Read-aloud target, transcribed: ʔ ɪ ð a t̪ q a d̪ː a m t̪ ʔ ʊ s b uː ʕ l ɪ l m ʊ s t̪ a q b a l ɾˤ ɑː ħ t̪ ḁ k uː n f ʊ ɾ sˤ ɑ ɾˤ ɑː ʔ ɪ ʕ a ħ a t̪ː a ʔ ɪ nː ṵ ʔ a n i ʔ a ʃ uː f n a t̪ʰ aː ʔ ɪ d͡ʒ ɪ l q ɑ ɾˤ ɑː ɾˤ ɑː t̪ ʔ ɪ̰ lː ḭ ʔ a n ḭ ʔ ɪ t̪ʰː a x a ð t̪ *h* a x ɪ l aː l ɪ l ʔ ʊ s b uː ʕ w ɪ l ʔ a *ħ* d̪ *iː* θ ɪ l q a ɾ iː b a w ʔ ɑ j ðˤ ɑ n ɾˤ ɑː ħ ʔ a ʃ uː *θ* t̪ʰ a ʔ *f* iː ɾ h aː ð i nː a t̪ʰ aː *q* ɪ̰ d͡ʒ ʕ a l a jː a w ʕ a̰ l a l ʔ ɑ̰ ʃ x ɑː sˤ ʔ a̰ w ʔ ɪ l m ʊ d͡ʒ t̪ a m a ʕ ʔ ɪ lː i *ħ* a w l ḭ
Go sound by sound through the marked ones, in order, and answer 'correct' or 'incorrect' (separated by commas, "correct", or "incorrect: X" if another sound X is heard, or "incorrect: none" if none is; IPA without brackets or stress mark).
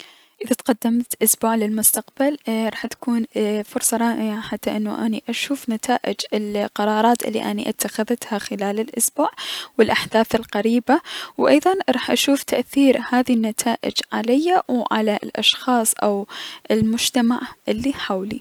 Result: correct, correct, incorrect: aː, incorrect: f, incorrect: θ, incorrect: ʔ, correct